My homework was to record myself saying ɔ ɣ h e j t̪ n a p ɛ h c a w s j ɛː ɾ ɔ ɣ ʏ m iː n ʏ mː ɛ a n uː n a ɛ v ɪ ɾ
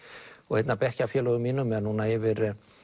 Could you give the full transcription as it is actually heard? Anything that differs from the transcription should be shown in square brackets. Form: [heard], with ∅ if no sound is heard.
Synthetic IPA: ɔ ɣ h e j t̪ n a p ɛ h c a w [f] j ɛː [l] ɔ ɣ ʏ m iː n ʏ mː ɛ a n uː n a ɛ v ɪ ɾ